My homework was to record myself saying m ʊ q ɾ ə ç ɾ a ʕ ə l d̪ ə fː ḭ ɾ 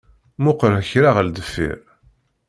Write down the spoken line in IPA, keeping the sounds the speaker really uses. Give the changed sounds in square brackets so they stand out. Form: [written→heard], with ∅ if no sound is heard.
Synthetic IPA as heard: m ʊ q ɾ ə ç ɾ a [ʕ→ʁ] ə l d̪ ə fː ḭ ɾ